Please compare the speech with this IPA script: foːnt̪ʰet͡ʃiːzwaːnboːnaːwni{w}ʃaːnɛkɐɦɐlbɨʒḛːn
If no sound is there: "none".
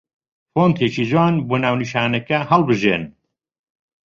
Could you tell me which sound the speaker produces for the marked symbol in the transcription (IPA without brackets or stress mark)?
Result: none